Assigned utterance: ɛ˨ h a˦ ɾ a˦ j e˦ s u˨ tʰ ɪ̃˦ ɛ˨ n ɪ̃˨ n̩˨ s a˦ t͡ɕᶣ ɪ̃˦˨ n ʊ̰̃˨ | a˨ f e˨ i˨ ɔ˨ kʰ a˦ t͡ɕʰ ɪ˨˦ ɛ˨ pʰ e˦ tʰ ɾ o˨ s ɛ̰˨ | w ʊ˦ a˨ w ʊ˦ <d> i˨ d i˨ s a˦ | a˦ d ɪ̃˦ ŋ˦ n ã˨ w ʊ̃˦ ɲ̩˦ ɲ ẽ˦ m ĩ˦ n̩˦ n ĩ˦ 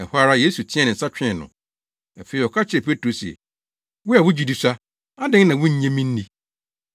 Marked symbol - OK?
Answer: no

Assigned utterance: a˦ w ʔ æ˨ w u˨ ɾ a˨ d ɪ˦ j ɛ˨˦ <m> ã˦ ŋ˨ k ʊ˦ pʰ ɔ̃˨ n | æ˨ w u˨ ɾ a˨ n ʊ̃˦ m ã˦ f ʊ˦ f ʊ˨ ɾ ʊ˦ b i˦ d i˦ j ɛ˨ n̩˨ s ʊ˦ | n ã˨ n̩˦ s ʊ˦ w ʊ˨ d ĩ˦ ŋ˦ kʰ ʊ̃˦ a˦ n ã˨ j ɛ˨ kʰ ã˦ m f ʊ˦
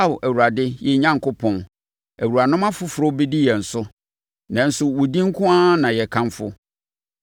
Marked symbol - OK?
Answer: no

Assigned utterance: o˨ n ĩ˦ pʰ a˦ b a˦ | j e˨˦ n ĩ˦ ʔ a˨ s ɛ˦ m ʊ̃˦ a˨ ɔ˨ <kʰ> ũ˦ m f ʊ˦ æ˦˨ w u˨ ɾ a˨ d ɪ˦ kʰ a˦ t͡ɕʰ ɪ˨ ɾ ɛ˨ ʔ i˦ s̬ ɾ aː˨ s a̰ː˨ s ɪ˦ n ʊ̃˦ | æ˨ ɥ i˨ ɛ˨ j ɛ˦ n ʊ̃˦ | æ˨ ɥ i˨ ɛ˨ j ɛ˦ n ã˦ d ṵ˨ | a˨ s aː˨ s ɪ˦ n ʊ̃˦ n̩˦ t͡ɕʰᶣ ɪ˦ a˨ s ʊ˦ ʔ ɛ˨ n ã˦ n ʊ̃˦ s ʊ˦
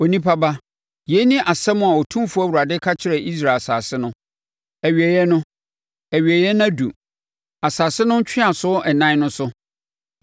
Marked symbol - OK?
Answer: no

